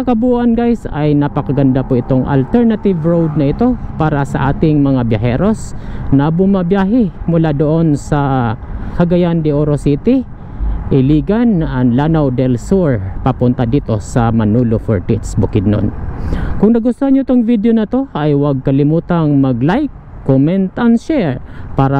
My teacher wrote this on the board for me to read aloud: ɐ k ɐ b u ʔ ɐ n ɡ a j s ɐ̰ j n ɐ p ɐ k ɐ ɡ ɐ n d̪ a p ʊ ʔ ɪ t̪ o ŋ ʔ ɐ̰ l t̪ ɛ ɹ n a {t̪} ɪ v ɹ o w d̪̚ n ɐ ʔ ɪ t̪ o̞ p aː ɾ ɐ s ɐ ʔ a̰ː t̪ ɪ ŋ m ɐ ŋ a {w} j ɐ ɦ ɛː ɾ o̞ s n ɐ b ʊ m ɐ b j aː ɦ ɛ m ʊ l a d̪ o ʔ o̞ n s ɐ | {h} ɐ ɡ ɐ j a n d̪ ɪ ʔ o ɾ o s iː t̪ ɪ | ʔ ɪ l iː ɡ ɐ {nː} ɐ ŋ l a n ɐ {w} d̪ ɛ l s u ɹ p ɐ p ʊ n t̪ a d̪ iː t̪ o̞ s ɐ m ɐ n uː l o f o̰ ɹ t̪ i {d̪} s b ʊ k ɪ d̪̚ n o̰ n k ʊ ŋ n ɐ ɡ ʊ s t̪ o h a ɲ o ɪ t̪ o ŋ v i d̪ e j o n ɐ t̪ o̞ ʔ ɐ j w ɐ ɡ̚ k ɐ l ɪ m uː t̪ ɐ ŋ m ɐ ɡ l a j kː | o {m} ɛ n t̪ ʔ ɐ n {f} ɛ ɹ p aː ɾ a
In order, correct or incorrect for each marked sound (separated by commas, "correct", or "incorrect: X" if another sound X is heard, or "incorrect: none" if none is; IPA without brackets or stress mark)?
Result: correct, incorrect: b, correct, incorrect: n, correct, incorrect: t̪, correct, incorrect: ʃ